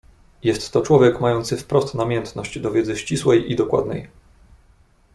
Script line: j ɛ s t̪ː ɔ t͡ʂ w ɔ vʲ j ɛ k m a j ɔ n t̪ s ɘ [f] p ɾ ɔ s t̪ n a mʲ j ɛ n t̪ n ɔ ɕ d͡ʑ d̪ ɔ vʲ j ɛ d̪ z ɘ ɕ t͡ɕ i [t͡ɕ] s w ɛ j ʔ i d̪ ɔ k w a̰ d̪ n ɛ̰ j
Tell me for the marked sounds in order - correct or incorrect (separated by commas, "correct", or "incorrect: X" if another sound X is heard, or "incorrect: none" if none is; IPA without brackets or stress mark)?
correct, incorrect: none